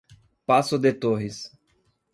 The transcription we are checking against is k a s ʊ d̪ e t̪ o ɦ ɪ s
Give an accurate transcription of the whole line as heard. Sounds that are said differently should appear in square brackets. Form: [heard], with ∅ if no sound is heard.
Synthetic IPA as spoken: [p] a s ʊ d̪ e t̪ o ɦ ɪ s